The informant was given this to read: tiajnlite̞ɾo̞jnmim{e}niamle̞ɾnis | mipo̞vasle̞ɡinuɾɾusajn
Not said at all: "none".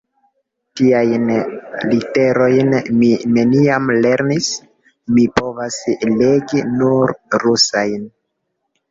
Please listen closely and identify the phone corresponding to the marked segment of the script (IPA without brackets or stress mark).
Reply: e